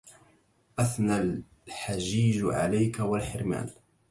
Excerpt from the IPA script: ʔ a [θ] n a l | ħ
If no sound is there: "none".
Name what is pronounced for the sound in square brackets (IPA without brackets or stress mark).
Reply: θ